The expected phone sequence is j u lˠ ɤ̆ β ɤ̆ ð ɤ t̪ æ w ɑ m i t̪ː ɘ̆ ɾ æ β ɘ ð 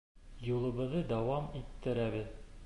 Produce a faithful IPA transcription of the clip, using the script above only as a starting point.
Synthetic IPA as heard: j u lˠ ɤ̆ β ɤ̆ ð ɤ d̪ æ w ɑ m i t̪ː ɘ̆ ɾ æ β ɘ ð